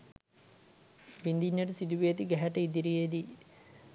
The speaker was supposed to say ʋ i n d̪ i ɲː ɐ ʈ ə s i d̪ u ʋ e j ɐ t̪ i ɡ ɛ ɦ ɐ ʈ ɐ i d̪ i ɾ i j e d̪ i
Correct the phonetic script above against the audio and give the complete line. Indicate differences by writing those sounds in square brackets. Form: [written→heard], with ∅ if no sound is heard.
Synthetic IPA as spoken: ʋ i n d̪ i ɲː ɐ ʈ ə s i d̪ u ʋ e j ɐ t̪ i ɡ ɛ ɦ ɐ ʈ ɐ i d̪ i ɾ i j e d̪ i